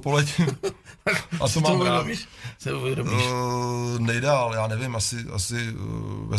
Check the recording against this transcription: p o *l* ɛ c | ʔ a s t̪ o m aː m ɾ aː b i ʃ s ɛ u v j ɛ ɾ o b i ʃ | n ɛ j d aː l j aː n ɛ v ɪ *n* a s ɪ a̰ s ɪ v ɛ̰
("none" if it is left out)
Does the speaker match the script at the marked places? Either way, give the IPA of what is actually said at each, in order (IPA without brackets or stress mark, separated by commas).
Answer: l, m